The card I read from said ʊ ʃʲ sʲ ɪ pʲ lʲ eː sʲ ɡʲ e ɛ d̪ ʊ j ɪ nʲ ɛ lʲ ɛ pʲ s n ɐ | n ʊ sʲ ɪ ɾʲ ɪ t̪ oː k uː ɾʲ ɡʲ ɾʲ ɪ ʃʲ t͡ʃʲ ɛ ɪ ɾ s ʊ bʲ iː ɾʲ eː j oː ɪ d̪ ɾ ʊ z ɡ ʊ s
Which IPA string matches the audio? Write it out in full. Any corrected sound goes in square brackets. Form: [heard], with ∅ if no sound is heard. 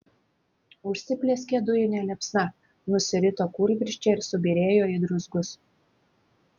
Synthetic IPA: ʊ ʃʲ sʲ ɪ pʲ lʲ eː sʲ [kʲ] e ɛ d̪ ʊ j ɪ nʲ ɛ lʲ ɛ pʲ s n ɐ | n ʊ sʲ ɪ ɾʲ ɪ t̪ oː k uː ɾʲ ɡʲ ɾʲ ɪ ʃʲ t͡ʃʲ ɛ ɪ ɾ s ʊ bʲ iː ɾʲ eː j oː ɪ d̪ ɾ ʊ z ɡ ʊ s